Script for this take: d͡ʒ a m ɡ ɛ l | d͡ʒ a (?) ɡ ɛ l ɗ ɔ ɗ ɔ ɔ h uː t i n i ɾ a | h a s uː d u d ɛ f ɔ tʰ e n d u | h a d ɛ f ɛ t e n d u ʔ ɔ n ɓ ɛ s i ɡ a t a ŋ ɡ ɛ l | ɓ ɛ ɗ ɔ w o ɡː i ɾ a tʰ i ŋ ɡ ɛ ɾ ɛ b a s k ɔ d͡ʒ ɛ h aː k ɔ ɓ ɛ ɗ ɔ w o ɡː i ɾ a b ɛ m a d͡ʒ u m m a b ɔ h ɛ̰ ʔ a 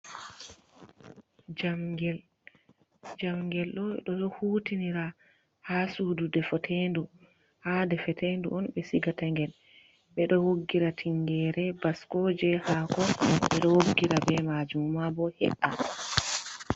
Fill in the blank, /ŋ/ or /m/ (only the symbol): m